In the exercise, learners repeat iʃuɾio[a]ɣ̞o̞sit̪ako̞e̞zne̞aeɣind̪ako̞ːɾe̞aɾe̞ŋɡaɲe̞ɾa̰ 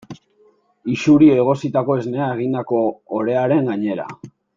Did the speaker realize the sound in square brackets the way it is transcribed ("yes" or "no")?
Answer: no